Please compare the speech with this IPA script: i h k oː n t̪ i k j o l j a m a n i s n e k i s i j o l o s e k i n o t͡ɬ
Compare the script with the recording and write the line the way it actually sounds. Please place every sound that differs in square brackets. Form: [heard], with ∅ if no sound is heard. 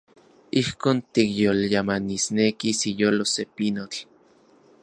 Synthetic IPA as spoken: i h k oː n t̪ i k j o l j a m a n i s n e k i s i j o l o s e [p] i n o t͡ɬ